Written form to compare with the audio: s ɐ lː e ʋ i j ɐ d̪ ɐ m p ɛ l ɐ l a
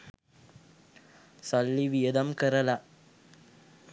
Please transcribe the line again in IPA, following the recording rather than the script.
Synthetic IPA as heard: s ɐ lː i ʋ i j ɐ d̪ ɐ m k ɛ ɾ ɐ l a